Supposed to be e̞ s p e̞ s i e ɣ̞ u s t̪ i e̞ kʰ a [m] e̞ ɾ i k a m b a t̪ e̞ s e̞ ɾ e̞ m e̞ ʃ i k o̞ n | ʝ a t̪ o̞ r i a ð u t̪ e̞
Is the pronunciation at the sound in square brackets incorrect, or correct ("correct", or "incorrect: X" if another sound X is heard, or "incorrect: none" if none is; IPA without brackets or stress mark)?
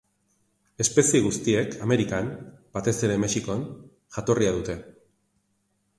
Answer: correct